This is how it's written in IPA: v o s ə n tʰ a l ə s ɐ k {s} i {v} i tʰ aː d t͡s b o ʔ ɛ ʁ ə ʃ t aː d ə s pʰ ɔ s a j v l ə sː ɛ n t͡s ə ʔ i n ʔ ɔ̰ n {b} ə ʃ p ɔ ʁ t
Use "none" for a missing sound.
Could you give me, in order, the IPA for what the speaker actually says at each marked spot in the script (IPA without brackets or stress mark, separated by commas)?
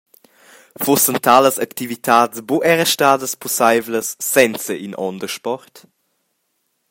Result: t, v, d